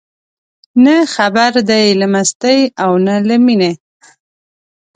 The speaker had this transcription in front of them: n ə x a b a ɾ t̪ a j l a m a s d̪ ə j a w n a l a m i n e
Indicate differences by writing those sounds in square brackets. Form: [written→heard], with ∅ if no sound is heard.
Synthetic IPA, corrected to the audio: n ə x a b a ɾ [t̪→d̪] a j l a m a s [d̪→t̪] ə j a w n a l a m i n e